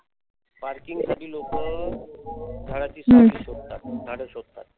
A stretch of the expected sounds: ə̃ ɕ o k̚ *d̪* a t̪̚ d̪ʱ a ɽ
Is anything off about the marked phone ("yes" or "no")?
yes